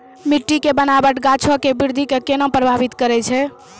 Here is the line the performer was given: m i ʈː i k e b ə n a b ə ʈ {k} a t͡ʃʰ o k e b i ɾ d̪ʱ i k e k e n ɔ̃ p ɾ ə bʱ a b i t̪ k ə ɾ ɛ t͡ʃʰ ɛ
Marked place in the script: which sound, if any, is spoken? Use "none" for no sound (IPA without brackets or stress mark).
ɡ